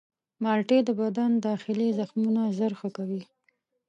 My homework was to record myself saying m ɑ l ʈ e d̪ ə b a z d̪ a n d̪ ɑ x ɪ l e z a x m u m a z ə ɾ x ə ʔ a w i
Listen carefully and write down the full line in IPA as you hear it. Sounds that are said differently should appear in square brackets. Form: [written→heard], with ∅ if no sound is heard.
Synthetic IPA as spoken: m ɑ l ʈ e d̪ ə b a [z→∅] d̪ a n d̪ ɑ x ɪ l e z a x m u [m→n] a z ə ɾ x ə [ʔ→k] a w i